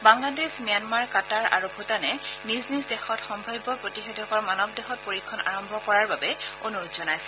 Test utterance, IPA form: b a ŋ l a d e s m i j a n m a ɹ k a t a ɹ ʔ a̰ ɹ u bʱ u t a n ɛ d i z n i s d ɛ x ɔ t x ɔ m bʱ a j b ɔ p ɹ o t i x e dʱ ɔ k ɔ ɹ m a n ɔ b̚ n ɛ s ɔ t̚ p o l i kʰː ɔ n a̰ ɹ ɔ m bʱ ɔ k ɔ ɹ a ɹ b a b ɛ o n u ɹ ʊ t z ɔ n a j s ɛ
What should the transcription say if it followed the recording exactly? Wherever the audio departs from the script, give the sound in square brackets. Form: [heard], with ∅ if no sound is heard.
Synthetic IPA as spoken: b a ŋ l a d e s m i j a n m a ɹ k a t a ɹ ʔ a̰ ɹ u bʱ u t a n ɛ [n] i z n i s d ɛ x ɔ t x ɔ m bʱ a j b ɔ p ɹ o t i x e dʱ ɔ k ɔ ɹ m a n ɔ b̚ [d] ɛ [x] ɔ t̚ p o [ɹ] i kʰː ɔ n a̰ ɹ ɔ m bʱ ɔ k ɔ ɹ a ɹ b a b ɛ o n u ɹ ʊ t z ɔ n a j s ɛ

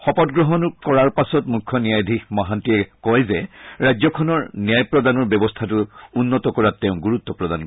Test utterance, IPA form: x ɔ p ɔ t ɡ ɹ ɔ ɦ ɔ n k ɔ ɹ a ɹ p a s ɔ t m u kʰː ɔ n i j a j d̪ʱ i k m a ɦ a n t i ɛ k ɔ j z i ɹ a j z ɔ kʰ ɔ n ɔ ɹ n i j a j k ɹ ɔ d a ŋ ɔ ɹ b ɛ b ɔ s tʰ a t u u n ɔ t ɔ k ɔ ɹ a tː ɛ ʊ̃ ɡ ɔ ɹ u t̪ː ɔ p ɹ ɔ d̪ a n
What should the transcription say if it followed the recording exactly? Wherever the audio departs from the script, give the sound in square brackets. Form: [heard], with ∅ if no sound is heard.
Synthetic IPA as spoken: x ɔ p ɔ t ɡ ɹ ɔ ɦ ɔ n k ɔ ɹ a ɹ p a s ɔ t m u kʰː ɔ n i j a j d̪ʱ i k m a ɦ a n t i ɛ k ɔ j z [ɛ] ɹ a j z ɔ kʰ ɔ n ɔ ɹ n i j a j [p] ɹ ɔ d a [n] ɔ ɹ b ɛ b ɔ s tʰ a t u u [nː] ɔ t ɔ k ɔ ɹ a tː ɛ ʊ̃ ɡ [u] ɹ u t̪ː ɔ p ɹ ɔ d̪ a n

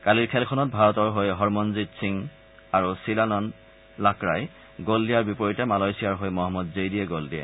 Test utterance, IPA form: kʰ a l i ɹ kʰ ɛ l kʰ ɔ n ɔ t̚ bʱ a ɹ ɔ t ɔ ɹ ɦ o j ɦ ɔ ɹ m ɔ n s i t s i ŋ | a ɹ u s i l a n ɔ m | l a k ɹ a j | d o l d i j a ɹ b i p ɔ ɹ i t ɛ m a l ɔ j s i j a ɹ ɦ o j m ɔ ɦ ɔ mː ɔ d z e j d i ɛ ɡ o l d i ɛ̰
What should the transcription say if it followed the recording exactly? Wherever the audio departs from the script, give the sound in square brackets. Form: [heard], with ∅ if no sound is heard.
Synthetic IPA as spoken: [k] a l i ɹ kʰ ɛ l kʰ ɔ n ɔ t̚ bʱ a ɹ ɔ t ɔ ɹ ɦ o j ɦ ɔ ɹ m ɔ n [z] i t s i ŋ | a ɹ u s i l a n ɔ [n] | l a k ɹ a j | [ɡ] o l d i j a ɹ b i p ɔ ɹ i t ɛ m a l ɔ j s i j a ɹ ɦ o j m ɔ ɦ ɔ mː ɔ d z e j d i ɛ ɡ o l d i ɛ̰

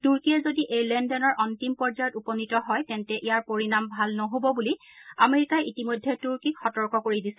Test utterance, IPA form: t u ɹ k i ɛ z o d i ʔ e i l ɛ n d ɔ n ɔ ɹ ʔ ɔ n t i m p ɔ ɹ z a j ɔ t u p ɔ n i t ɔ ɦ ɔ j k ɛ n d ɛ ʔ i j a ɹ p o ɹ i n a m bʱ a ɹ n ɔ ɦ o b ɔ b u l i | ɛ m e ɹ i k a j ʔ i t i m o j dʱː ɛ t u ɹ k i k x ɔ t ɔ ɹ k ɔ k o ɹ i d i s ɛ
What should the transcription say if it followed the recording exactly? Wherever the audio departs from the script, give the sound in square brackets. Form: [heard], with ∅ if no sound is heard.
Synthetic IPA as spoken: t u ɹ k i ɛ z o d i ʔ e [j] l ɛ n d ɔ n ɔ ɹ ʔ ɔ n t i m p ɔ ɹ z a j ɔ t u p ɔ n i t ɔ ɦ ɔ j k ɛ n [t] ɛ ʔ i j a ɹ p o ɹ i n a m bʱ a [l] n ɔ ɦ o b ɔ b u l i | [a] m e ɹ i k a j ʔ i t i m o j dʱː ɛ t u ɹ k i k x ɔ t ɔ ɹ k ɔ k o ɹ i d i s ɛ

